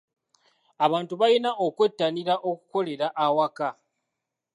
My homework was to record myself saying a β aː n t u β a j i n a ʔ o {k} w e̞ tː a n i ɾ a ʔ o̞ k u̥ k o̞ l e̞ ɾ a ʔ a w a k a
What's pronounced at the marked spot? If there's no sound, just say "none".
k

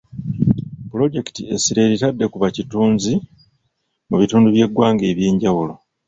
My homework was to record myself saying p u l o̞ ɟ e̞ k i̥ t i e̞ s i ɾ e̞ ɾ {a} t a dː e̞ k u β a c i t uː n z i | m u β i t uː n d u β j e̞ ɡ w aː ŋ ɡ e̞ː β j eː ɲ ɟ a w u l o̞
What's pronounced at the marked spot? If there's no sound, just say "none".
i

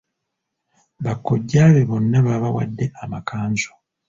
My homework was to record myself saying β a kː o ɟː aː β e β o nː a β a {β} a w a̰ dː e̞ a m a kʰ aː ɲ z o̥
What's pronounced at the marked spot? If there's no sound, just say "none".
β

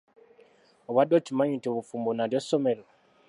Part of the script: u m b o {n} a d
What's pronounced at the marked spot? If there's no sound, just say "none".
n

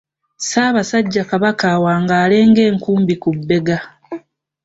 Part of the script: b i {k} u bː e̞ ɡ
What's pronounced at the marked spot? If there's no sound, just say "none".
k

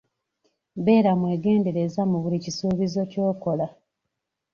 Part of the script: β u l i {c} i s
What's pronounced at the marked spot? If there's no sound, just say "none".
c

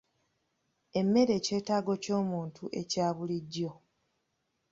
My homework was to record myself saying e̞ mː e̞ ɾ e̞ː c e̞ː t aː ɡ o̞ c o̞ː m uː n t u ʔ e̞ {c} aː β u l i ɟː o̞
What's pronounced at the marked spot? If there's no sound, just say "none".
c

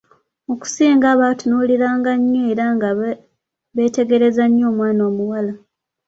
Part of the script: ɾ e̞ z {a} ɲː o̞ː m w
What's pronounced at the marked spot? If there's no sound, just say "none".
a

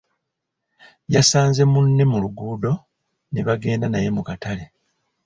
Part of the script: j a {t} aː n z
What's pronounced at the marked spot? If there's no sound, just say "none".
s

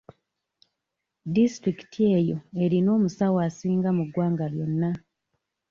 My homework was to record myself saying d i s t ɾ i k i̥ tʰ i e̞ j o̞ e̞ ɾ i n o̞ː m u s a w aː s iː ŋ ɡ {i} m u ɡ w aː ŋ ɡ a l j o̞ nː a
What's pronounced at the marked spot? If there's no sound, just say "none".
a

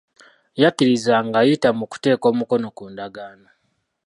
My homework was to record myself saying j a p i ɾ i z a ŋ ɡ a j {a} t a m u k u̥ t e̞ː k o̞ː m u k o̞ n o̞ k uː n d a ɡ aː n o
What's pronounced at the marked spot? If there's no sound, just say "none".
i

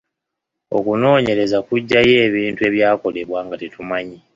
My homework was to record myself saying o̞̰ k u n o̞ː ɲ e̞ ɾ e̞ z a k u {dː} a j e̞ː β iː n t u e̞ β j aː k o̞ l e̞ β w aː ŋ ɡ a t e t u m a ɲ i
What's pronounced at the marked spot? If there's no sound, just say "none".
ɟː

